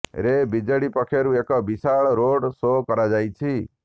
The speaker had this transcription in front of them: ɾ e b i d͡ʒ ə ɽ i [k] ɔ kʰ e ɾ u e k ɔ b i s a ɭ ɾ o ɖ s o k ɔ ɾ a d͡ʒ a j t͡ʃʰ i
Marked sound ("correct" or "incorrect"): incorrect